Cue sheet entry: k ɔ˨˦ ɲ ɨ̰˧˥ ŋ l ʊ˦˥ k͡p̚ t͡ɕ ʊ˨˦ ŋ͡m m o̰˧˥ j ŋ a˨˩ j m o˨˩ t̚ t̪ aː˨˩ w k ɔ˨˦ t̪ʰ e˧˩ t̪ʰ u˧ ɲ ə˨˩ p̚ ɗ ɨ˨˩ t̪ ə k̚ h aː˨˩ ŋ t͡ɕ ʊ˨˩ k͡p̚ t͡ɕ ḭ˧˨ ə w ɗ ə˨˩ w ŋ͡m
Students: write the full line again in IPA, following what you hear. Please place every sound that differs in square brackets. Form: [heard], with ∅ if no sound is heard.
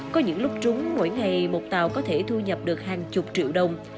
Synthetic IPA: k ɔ˨˦ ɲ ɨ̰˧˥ ŋ l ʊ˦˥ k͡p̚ t͡ɕ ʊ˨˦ ŋ͡m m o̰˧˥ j ŋ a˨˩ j m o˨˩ t̚ t̪ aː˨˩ w k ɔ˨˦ t̪ʰ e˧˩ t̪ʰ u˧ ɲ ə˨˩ p̚ ɗ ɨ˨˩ [∅] ə k̚ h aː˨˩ ŋ t͡ɕ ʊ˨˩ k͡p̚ t͡ɕ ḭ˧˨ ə w ɗ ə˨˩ w ŋ͡m

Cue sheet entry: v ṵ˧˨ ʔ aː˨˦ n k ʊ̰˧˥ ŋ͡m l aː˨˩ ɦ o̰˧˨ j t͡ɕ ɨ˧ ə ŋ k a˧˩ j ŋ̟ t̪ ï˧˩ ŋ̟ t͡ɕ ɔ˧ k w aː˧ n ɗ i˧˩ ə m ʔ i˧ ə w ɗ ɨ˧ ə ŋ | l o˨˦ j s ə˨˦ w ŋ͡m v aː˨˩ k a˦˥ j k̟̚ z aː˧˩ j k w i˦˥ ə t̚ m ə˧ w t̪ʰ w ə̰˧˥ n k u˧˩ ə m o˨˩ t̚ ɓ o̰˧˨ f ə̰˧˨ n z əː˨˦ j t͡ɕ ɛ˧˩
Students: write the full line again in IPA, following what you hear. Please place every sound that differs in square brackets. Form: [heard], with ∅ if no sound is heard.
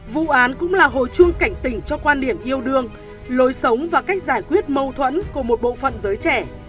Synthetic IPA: v ṵ˧˨ ʔ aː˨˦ n k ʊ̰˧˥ ŋ͡m l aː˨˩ ɦ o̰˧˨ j t͡ɕ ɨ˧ ə ŋ k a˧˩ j ŋ̟ t̪ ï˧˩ ŋ̟ t͡ɕ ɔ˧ k w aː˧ n ɗ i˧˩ ə m ʔ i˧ ə w ɗ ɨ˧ ə ŋ | l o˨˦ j s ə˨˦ w ŋ͡m v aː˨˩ k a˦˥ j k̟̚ z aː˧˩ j k w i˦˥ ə t̚ m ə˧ w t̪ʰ w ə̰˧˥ n k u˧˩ ə m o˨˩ t̚ ɓ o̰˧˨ f ə̰˧˨ n z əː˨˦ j t͡ɕ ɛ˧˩

